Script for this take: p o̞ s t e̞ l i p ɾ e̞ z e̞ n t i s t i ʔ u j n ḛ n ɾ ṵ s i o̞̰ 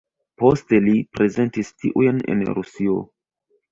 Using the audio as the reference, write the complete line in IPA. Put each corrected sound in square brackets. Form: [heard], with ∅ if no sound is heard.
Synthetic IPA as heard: p o̞ s t e̞ l i p ɾ e̞ z e̞ n t i s t i ʔ u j n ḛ n ɾ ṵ s i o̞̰